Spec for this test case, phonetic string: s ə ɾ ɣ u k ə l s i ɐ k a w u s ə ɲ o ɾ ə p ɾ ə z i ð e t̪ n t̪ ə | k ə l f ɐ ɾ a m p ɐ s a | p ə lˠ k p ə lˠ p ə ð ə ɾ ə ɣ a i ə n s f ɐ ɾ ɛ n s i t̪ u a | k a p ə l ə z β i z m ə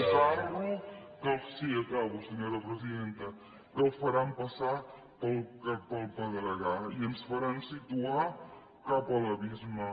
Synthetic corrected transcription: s a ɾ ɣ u k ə l s i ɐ k a β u s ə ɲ o ɾ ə p ɾ ə z i ð e n t̪ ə | k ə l f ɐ ɾ a m p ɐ s a | p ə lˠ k p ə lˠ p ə ð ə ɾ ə ɣ a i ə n s f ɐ ɾ a n s i t̪ u a | k a p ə l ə β i z m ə